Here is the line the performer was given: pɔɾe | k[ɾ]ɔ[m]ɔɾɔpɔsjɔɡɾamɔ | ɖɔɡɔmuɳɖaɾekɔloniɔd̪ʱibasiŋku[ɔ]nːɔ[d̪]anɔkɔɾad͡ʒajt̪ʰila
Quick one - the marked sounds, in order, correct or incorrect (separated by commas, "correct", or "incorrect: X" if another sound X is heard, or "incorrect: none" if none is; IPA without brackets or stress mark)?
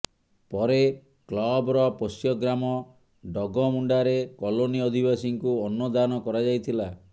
incorrect: l, incorrect: b, correct, correct